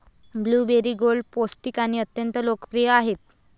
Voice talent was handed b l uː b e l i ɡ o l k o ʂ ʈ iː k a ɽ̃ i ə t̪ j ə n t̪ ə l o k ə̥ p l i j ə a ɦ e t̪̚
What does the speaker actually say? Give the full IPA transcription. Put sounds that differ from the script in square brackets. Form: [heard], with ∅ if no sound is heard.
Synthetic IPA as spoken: b l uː b e [ɾ] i ɡ o l [p] o [s] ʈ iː k a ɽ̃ i ə t̪ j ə n t̪ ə l o k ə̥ p [ɾ] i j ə a ɦ e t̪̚